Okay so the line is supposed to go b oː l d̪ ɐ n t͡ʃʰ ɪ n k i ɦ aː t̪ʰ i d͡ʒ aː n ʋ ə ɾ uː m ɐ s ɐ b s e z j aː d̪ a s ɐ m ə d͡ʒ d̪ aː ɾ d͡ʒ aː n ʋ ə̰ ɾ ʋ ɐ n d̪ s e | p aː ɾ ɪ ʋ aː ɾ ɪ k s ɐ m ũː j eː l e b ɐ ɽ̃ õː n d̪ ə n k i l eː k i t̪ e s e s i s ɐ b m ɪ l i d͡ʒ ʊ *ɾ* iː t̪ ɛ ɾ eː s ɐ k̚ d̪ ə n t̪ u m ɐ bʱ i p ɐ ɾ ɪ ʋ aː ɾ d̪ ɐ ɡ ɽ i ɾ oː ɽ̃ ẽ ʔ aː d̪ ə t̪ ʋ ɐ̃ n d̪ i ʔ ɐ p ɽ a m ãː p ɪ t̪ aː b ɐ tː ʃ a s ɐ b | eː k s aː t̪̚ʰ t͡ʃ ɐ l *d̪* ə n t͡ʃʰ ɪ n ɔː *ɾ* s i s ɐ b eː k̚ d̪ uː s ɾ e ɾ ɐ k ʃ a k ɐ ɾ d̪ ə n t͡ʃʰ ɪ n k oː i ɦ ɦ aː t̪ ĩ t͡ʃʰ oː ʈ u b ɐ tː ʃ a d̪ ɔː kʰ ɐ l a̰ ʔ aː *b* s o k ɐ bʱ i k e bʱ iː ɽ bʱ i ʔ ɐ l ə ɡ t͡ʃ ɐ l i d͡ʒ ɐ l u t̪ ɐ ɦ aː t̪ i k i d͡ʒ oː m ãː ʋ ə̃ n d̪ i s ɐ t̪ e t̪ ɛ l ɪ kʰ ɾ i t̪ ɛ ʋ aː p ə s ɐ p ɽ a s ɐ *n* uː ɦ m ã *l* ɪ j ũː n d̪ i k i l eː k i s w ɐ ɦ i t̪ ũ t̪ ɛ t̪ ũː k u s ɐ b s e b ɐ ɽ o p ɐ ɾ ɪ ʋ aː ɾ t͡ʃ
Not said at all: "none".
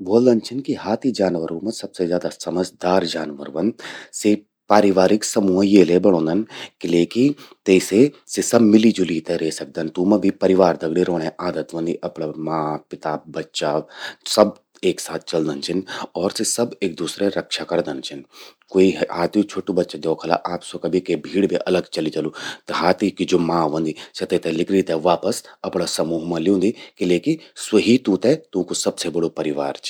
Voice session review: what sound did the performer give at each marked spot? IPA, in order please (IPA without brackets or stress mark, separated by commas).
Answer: l, d̪, ɾ, p, m, l